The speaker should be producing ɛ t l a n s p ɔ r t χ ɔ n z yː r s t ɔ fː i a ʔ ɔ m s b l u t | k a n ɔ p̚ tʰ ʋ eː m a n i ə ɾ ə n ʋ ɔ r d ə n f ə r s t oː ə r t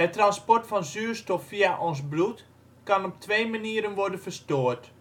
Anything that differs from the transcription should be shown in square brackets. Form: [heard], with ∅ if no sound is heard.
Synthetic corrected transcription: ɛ t [r] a n s p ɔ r t [f] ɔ n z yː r s t ɔ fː i a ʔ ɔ [n] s b l u t | k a n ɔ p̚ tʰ ʋ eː m a n i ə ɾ ə n ʋ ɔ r d ə n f ə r s t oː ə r t

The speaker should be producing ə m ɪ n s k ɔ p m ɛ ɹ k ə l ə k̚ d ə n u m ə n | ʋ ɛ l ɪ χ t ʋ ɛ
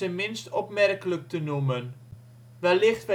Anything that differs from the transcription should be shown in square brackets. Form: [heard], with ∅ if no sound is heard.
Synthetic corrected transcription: ə m ɪ n s [t] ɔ p m ɛ [r] k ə l ə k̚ [t] ə n u m ə n | ʋ ɛ l ɪ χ t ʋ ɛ

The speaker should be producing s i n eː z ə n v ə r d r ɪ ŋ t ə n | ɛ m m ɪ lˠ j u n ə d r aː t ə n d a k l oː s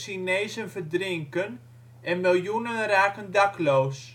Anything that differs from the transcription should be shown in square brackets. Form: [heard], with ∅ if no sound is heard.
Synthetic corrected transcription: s i n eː z ə n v ə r d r ɪ ŋ [k] ə n | ɛ [n] m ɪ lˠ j u n ə [n] r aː [k] ə n d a k l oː s

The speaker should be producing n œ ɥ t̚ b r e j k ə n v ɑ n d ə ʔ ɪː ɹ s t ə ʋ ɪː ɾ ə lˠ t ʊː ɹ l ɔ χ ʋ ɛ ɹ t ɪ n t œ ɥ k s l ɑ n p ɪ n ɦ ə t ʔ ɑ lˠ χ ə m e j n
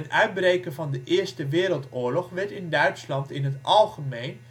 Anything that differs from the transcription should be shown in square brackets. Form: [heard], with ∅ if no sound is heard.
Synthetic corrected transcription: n œ ɥ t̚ b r e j k ə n v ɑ n d ə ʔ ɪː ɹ s t ə ʋ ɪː ɾ ə lˠ t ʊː ɹ l ɔ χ ʋ ɛ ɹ t ɪ n [d] œ ɥ [t] s l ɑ n [t] ɪ n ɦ ə t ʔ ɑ lˠ χ ə m e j n

